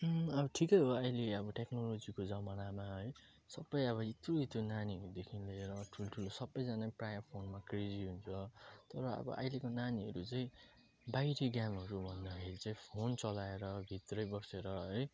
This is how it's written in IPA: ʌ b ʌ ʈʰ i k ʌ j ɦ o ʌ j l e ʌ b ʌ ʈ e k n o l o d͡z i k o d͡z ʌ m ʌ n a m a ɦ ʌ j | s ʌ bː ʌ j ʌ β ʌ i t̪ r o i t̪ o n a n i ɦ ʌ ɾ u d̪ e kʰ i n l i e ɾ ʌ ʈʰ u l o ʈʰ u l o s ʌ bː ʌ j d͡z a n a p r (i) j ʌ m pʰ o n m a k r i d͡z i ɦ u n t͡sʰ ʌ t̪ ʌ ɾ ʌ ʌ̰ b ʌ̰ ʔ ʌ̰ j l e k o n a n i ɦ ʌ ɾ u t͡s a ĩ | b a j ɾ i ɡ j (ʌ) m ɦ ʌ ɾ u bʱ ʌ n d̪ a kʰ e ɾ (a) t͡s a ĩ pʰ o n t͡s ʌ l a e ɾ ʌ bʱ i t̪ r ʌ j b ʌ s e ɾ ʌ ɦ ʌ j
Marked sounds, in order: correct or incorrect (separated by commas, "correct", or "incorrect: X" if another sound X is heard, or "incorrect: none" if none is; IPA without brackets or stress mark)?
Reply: incorrect: a, incorrect: a, incorrect: i